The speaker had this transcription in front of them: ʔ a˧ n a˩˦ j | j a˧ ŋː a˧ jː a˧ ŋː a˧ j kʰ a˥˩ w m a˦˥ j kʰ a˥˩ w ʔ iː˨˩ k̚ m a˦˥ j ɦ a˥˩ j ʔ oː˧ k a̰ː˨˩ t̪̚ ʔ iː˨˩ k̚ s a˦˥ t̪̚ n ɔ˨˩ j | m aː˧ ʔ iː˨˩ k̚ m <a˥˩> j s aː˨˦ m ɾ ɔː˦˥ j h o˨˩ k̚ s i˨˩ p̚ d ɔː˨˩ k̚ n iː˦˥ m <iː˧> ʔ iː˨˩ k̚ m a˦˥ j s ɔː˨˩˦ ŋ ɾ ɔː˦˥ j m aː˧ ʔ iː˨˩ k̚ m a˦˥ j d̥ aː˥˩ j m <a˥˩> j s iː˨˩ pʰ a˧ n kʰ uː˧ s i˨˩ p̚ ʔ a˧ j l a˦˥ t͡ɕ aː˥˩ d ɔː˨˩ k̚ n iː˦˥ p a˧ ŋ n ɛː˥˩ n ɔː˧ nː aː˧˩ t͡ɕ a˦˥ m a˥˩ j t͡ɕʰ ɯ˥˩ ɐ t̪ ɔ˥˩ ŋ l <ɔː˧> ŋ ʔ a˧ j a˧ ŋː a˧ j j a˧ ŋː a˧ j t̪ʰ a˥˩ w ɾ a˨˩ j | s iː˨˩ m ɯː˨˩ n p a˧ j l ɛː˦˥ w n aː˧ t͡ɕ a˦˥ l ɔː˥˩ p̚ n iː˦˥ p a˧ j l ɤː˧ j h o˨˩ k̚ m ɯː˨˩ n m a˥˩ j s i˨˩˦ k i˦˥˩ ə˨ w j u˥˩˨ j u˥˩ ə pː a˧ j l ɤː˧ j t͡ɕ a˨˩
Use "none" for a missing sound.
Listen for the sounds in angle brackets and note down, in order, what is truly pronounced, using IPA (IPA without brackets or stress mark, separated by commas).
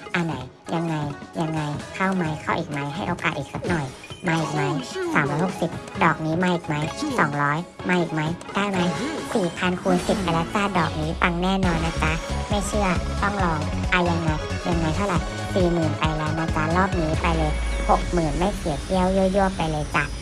a˦˥, aː˧, a˦˥, ɔː˧